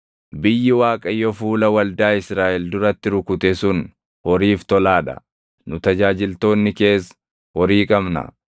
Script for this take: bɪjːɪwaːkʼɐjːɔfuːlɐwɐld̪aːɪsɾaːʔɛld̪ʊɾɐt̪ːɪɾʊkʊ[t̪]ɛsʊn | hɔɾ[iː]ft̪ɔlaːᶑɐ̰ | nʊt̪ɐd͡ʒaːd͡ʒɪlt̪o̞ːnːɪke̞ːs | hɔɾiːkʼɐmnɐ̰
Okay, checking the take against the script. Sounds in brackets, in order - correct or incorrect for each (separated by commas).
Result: correct, correct